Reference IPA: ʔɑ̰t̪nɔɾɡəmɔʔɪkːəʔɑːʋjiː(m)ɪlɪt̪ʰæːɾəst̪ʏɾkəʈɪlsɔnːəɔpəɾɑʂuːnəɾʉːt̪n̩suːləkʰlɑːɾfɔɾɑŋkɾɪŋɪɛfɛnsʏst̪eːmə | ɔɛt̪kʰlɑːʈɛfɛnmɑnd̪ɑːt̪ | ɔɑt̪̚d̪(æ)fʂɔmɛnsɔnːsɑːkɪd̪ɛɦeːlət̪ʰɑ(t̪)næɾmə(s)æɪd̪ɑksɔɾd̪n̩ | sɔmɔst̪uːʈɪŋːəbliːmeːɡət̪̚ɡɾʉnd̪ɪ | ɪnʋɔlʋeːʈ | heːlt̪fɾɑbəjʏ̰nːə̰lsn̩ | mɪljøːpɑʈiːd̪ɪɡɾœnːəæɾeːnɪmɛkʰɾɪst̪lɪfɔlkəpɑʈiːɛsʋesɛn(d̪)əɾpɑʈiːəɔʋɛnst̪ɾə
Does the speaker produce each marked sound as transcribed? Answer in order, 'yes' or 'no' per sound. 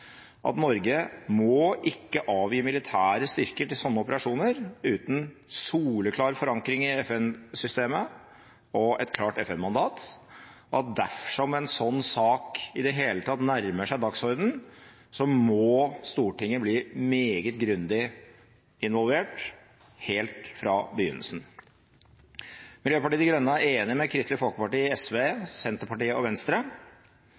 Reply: yes, yes, yes, no, no

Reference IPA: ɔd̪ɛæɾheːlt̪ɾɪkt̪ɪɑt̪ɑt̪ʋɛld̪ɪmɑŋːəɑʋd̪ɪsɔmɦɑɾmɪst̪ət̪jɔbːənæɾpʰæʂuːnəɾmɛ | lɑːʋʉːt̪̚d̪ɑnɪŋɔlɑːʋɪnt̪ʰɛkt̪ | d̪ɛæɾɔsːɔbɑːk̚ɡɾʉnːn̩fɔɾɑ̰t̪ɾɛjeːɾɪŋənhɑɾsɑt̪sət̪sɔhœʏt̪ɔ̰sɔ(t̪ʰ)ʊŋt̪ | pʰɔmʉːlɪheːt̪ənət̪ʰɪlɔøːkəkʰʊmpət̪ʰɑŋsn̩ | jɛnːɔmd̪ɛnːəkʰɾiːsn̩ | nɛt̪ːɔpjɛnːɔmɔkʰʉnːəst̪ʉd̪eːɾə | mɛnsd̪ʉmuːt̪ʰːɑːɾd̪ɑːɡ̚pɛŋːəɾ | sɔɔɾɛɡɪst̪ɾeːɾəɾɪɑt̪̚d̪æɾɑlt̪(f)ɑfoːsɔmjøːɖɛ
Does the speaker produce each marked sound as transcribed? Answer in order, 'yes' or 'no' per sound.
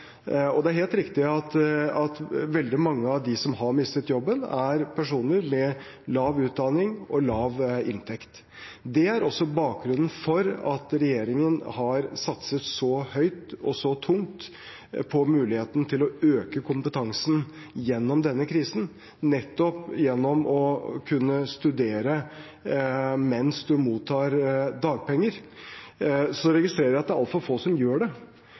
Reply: yes, yes

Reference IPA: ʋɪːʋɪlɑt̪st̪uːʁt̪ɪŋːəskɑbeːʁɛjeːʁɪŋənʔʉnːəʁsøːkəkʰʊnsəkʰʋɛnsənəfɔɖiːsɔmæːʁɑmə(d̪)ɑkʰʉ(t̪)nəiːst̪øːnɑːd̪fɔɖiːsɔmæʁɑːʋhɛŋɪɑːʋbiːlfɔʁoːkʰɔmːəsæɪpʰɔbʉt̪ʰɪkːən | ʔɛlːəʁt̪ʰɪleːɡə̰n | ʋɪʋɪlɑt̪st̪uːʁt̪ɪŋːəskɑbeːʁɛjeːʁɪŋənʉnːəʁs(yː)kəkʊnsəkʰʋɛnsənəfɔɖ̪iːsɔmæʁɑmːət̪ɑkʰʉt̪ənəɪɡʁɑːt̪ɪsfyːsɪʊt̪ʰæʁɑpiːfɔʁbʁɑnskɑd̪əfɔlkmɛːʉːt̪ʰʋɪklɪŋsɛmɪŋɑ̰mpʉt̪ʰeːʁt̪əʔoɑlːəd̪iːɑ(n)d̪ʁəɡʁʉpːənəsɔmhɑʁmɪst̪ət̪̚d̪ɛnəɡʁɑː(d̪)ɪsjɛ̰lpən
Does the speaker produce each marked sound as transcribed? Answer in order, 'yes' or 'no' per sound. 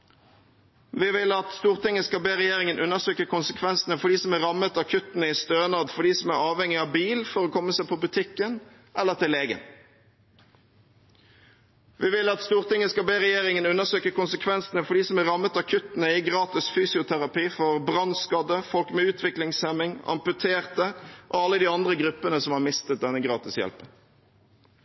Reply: no, yes, no, yes, no

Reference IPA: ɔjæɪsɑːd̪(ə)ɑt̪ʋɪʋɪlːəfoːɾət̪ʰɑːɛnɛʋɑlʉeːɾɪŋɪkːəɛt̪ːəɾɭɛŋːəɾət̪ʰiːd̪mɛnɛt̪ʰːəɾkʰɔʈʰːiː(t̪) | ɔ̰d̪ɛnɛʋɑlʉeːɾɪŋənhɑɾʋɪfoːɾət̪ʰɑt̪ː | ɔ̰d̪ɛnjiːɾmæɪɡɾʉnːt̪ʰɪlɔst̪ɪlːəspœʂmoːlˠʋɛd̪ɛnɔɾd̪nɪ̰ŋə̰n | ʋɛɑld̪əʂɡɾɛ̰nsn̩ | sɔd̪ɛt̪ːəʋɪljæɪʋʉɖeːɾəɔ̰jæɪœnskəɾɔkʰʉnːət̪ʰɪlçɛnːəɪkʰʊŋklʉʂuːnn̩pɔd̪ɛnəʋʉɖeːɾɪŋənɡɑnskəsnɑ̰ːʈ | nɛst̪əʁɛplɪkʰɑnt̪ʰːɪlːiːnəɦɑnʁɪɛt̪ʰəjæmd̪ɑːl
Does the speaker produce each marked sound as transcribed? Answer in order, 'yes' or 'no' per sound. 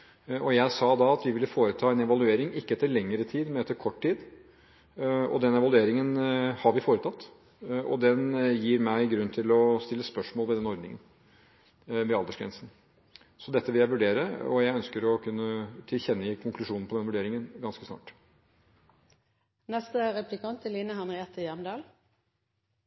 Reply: no, no

